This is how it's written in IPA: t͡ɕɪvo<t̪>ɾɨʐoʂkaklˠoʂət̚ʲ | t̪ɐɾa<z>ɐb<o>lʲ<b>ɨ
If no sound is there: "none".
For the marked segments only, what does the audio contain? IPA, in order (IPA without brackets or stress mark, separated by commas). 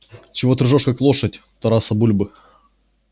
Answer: t̪, s, u, b